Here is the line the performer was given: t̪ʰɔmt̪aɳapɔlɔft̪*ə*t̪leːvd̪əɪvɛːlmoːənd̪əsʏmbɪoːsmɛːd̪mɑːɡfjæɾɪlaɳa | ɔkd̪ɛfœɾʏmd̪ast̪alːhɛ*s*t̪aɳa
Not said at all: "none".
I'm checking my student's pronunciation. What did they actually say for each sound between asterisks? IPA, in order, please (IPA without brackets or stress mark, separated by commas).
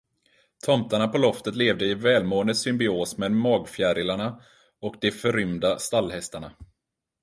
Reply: ə, s